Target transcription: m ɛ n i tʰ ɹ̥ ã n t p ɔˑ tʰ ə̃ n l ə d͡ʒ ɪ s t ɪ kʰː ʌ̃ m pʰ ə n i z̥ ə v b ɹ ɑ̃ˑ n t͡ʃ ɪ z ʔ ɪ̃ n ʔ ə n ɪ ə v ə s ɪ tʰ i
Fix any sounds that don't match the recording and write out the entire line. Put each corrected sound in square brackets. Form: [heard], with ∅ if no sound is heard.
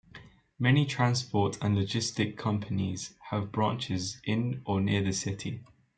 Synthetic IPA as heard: m ɛ n i tʰ ɹ̥ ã n [s] p ɔˑ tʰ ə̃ n l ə d͡ʒ ɪ s t ɪ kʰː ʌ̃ m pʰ ə n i z̥ ə v b ɹ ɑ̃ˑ n t͡ʃ ɪ z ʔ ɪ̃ n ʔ ə n ɪ ə [ð] ə s ɪ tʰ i